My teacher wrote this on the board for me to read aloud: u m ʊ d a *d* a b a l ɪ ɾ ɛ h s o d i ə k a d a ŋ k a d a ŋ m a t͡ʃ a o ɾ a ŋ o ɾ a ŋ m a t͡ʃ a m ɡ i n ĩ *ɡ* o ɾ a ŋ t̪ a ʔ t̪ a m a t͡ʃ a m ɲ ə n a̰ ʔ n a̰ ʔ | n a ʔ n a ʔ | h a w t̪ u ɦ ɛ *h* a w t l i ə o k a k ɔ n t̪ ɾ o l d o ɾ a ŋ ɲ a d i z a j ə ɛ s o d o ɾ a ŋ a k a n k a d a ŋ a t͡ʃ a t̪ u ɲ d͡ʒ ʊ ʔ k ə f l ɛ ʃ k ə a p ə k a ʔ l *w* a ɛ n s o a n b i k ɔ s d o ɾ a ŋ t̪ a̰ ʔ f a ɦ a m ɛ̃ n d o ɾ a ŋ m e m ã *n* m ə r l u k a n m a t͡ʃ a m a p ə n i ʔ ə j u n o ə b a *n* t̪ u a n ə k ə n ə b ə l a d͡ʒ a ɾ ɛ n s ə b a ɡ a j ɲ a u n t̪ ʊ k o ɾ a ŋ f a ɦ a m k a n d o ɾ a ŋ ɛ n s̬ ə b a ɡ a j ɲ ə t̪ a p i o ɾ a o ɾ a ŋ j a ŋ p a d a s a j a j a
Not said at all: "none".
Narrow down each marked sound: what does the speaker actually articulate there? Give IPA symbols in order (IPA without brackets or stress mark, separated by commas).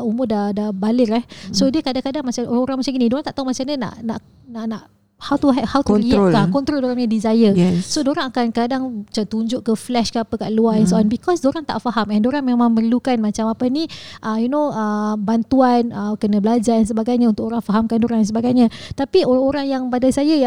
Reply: d, d, h, u, ŋ, n